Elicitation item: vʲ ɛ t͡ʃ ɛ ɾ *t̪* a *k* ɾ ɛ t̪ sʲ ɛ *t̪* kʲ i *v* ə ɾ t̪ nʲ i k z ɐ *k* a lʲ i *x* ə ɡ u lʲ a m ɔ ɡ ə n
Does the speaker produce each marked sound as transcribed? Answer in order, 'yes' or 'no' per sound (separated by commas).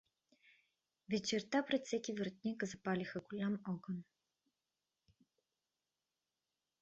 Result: yes, no, no, yes, no, yes